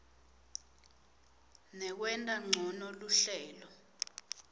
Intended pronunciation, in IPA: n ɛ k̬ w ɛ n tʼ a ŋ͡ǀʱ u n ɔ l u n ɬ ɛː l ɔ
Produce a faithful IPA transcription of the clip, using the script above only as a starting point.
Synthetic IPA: n ɛ k̬ w ɛ n tʼ a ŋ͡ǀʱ ɔ n ɔ l u ɬ ɛː l ɔ

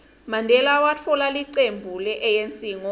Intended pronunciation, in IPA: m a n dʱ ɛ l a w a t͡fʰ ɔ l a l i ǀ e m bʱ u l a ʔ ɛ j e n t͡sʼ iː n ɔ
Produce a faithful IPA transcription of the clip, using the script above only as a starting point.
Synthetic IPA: m a n dʱ ɛ l a w a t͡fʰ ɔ l a l i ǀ e m bʱ u l ɛ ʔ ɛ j e n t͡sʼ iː ŋ ɔ

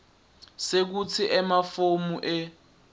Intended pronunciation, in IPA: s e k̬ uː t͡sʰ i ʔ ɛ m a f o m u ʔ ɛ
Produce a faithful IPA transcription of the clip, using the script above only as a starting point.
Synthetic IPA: s e k̬ u t͡sʰ i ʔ ɛ m a f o m u ʔ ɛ

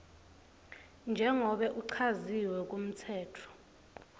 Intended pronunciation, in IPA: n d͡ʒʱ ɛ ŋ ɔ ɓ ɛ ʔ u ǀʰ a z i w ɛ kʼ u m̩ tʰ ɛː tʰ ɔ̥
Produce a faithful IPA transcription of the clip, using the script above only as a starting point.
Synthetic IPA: n d͡ʒʱ ɛ ŋ ɔ ɓ ɛ ʔ u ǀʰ a z i w ɛ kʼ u m̩ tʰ ɛː tʰ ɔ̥

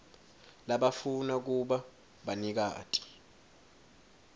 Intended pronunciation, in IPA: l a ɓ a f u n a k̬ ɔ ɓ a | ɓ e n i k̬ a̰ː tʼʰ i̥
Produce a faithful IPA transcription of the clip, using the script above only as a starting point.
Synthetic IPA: l a ɓ a f u n a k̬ u ɓ a | ɓ a n i k̬ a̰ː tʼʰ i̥

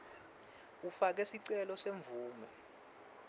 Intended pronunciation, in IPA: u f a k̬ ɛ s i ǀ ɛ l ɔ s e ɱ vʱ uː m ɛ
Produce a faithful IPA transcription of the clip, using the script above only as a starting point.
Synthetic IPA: u f a k̬ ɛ s i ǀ ɛ l ɔ s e ɱ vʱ uː m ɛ

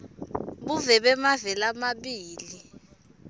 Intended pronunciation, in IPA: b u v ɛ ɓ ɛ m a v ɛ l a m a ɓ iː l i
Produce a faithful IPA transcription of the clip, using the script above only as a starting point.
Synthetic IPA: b u v ɛ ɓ ɛ m a v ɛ l a m a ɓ iː l i

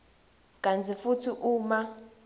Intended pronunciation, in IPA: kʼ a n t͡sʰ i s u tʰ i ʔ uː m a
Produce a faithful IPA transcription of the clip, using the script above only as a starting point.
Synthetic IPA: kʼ a n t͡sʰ i f u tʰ i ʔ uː m a

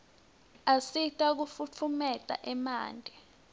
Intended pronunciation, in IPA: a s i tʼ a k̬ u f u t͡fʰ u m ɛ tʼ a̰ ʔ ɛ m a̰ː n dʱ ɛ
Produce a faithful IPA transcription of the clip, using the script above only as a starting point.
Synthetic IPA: a s i tʼ a k̬ u f u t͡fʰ u m ɛ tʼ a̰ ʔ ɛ m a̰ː n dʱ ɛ

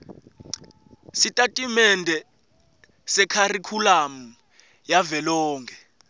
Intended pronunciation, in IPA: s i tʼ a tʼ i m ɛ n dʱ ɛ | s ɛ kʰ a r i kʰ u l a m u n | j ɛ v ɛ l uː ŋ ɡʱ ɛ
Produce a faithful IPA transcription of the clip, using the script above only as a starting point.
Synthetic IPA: s i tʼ a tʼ i m ɛ n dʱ ɛ | s ɛ kʰ a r i kʰ u l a m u | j a v ɛ l ɔː ŋ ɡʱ ɛ

